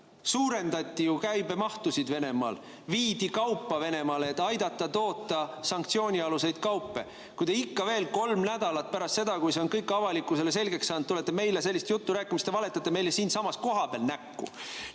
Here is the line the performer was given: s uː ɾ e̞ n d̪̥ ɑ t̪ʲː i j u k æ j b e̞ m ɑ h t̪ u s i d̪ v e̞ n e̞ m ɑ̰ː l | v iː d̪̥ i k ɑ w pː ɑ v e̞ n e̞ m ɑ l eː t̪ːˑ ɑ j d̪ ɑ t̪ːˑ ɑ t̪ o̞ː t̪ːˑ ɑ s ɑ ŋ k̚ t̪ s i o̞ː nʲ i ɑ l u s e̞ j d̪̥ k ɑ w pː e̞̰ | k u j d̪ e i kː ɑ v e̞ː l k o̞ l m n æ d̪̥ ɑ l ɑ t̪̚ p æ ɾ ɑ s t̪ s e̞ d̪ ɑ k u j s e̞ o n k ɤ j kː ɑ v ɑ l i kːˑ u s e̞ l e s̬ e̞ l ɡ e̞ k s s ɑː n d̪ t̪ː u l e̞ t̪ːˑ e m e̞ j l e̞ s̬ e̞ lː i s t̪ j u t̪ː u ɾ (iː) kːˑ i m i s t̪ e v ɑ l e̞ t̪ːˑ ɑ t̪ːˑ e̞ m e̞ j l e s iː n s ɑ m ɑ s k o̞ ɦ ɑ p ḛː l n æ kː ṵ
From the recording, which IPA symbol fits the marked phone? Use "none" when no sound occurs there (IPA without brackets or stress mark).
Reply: æː